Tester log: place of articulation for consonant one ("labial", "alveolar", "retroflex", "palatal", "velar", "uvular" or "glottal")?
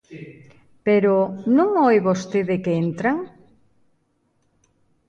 labial